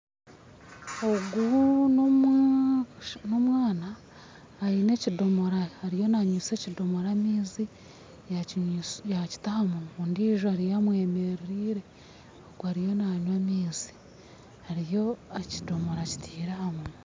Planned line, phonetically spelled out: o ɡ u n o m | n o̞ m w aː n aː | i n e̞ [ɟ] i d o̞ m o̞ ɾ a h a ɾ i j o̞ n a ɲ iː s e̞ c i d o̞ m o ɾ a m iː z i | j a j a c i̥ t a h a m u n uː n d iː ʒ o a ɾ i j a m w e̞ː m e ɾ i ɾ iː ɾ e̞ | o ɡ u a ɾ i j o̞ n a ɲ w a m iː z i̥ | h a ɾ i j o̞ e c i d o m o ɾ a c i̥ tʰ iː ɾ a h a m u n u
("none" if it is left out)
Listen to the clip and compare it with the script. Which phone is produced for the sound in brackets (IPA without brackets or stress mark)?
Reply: c